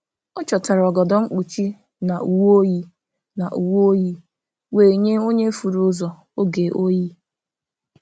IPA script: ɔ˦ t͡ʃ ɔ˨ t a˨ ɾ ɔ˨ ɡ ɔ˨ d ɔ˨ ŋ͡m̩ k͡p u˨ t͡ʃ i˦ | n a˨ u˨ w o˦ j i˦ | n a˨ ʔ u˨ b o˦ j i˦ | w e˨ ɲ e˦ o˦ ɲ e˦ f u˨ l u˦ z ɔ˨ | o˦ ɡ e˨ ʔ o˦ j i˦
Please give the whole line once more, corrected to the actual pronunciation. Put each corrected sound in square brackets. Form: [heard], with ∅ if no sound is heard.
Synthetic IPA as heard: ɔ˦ t͡ʃ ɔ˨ t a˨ ɾ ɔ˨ ɡ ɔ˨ d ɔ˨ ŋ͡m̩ k͡p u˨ t͡ʃ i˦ | n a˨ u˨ w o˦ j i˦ | n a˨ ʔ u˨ [w] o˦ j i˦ | w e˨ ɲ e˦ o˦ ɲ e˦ f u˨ [ɾ] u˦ z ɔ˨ | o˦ ɡ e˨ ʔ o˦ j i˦